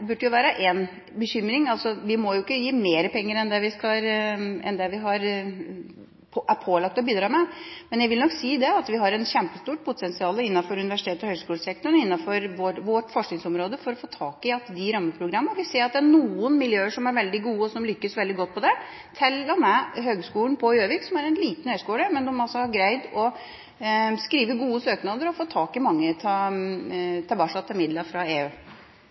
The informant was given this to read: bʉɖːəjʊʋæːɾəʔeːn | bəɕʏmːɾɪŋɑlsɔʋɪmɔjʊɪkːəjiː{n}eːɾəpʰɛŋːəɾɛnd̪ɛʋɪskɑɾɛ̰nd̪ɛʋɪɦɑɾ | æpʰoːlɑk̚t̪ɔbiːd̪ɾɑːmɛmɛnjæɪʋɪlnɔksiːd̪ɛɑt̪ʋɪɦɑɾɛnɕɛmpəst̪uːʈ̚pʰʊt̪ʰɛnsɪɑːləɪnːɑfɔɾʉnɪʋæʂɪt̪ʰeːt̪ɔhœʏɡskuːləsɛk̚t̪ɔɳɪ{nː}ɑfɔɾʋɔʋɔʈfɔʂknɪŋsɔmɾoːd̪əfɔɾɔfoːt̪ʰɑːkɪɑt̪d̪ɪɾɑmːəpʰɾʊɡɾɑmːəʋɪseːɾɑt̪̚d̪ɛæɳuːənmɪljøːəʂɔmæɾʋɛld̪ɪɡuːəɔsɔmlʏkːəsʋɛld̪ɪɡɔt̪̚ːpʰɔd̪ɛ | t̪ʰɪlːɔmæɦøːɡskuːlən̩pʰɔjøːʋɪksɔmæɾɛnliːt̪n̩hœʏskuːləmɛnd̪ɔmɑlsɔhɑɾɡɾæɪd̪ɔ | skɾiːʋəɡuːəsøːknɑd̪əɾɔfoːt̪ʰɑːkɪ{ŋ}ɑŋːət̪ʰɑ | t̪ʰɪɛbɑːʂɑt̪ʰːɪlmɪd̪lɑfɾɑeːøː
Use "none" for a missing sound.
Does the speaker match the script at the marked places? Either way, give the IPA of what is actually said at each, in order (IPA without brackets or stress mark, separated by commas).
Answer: m, nː, m